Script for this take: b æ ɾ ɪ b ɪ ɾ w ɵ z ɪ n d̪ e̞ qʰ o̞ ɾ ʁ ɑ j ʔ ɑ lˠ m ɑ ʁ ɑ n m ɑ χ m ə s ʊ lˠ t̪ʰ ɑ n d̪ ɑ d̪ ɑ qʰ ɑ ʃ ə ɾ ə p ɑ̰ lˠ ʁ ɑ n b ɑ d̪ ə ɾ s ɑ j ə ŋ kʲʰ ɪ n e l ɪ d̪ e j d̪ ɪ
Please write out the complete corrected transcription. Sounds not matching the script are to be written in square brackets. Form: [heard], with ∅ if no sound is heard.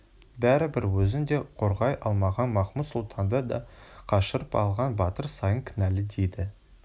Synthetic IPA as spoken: b æ ɾ ɪ b ɪ ɾ w ɵ z ɪ n d̪ e̞ qʰ o̞ ɾ ʁ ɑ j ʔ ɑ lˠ m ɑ ʁ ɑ n m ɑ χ m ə s ʊ lˠ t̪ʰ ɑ n d̪ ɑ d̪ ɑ qʰ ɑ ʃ ə ɾ ə p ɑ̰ lˠ ʁ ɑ n b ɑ [t̪] ə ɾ s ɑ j ə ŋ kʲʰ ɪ n [æ] l ɪ d̪ e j d̪ ɪ

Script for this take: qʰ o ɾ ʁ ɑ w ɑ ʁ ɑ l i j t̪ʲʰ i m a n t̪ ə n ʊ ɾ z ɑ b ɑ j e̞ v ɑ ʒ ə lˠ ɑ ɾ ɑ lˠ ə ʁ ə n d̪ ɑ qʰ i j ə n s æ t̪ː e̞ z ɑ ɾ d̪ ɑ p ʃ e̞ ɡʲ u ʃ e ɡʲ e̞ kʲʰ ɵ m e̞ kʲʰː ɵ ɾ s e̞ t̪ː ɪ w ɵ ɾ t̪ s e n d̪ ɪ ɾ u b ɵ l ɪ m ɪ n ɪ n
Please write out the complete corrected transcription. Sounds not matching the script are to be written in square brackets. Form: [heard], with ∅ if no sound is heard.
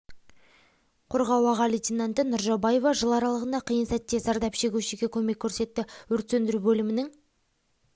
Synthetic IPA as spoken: qʰ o ɾ ʁ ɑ w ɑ ʁ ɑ l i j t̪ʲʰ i [n] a n t̪ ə n ʊ ɾ [ʒ] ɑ b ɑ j e̞ v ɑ ʒ ə lˠ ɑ ɾ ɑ lˠ ə ʁ ə n d̪ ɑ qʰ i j ə n s æ t̪ː e̞ z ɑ ɾ d̪ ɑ p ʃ e̞ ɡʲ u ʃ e ɡʲ e̞ kʲʰ ɵ m e̞ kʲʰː ɵ ɾ s e̞ t̪ː ɪ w ɵ ɾ t̪ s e n d̪ ɪ ɾ u b ɵ l ɪ m ɪ n ɪ [ŋ]

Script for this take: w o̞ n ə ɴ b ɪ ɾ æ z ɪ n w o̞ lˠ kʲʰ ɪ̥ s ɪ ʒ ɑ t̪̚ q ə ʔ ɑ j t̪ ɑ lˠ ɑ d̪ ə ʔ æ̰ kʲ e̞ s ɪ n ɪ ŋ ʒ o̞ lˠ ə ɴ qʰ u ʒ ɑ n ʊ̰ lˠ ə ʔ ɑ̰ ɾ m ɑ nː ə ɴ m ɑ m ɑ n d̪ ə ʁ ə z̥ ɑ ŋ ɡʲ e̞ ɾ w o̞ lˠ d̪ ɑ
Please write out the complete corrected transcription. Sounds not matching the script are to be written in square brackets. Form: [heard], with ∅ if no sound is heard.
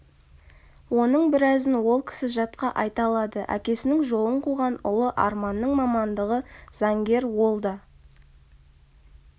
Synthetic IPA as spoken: w o̞ n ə ɴ b ɪ ɾ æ z ɪ n w o̞ lˠ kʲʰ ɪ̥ s ɪ ʒ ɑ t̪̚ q [ɑ] ʔ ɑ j t̪ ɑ lˠ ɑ d̪ ə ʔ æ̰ kʲ e̞ s ɪ n ɪ ŋ ʒ o̞ lˠ ə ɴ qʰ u [ʁ] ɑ n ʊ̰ lˠ ə ʔ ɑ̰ ɾ m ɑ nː ə ɴ m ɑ m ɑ n d̪ ə ʁ ə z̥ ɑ ŋ ɡʲ e̞ ɾ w o̞ lˠ d̪ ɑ

